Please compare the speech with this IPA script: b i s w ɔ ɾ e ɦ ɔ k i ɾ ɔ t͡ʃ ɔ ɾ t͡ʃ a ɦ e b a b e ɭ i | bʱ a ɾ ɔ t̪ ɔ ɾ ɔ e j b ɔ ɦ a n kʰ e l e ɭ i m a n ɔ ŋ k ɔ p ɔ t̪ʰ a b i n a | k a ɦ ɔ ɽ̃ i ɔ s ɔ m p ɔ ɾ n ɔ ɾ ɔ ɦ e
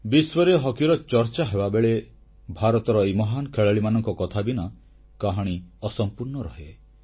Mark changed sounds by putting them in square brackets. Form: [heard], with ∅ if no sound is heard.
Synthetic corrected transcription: b i s w ɔ ɾ e ɦ ɔ k i ɾ ɔ t͡ʃ ɔ ɾ t͡ʃ a ɦ e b a b e ɭ [e] | bʱ a ɾ ɔ t̪ ɔ ɾ ɔ e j [m] ɔ ɦ a n kʰ e [ɭ] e ɭ i m a n ɔ ŋ k ɔ [k] ɔ t̪ʰ a b i n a | k a ɦ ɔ ɽ̃ i ɔ s ɔ m p [u] ɾ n ɔ ɾ ɔ ɦ e